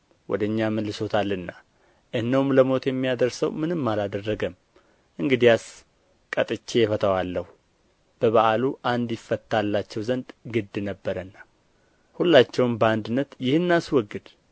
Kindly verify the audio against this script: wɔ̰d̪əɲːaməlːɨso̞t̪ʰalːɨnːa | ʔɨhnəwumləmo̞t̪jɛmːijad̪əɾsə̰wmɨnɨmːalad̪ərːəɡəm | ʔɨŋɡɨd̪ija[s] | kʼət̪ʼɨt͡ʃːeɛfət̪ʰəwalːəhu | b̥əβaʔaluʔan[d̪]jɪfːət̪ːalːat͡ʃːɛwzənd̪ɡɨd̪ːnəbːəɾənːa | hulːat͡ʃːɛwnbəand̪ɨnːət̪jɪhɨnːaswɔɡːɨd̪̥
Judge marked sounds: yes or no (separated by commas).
yes, yes